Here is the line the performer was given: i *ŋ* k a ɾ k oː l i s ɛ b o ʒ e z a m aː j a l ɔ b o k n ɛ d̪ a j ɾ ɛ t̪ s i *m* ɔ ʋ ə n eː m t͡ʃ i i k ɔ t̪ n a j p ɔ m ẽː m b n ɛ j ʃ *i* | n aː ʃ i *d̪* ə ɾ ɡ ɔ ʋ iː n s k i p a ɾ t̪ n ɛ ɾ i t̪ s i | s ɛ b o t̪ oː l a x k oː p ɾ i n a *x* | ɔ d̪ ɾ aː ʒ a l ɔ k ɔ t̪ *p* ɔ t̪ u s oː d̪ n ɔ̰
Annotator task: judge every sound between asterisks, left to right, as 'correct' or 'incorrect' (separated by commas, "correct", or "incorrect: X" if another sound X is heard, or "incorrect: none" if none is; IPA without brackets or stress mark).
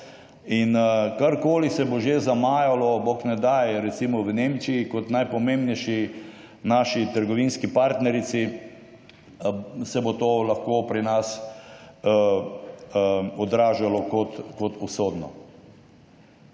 incorrect: n, correct, correct, incorrect: t̪, incorrect: s, incorrect: k